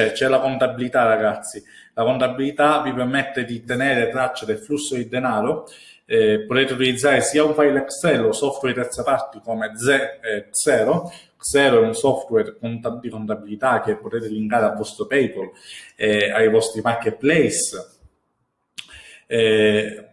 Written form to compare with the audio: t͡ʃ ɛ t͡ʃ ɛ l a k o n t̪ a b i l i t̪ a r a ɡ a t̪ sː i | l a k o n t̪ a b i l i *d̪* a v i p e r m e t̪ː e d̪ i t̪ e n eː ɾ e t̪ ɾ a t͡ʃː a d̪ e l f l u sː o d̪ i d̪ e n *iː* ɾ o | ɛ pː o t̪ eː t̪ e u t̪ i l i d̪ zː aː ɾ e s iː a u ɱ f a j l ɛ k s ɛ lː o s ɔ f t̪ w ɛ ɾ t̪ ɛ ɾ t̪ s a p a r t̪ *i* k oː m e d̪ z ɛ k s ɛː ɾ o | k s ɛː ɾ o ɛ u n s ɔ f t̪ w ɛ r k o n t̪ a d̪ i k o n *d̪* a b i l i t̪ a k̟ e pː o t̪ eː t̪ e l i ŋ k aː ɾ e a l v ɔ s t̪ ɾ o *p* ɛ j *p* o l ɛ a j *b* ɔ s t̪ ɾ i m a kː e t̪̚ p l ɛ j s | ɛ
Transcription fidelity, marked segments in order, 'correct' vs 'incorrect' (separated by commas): incorrect, incorrect, correct, incorrect, correct, correct, incorrect